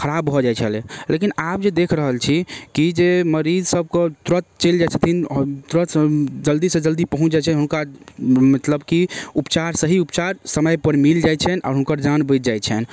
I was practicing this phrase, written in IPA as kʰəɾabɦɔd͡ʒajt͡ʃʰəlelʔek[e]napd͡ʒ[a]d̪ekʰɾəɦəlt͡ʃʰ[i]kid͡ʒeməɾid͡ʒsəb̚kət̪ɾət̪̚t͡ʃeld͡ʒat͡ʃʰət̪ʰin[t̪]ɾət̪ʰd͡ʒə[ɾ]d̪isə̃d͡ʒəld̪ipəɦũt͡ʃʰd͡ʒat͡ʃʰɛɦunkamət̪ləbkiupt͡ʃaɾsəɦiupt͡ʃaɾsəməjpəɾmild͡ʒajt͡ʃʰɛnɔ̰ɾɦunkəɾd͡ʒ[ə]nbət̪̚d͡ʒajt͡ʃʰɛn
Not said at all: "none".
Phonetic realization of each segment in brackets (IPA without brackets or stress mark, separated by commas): i, e, i, t̪, l, a